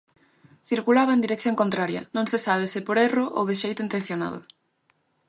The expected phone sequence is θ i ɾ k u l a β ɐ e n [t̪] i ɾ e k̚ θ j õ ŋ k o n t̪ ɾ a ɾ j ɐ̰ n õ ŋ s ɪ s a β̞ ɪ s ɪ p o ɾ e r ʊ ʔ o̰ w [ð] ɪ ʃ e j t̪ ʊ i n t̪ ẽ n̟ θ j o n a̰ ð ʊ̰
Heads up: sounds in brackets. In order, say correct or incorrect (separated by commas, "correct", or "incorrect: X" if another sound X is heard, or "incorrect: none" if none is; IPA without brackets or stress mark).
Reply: incorrect: d̪, correct